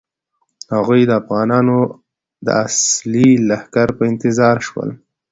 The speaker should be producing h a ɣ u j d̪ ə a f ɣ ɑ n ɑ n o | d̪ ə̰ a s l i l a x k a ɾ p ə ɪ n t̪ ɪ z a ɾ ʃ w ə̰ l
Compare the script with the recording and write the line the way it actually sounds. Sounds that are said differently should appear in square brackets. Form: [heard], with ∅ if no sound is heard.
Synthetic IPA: h a ɣ u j d̪ ə a f ɣ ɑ n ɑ n o | d̪ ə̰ a s l i l a [h] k a ɾ p ə ɪ n t̪ ɪ z [ɑ] ɾ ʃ w ə̰ l